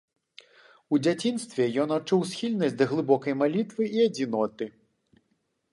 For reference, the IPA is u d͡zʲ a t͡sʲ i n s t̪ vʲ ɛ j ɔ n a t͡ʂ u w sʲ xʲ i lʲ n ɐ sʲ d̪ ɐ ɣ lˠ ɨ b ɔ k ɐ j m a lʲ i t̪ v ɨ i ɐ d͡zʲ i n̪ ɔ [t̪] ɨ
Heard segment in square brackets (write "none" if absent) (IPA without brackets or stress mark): t̪